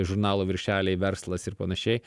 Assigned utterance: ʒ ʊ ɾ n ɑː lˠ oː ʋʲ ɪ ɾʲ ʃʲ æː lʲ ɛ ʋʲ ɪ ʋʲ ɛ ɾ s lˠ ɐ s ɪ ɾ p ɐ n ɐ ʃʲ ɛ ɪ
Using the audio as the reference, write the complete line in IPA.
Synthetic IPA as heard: ʒ ʊ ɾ n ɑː lˠ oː ʋʲ ɪ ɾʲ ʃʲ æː lʲ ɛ ɪ ʋʲ ɛ ɾ s lˠ ɐ s ɪ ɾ p ɐ n ɐ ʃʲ ɛ ɪ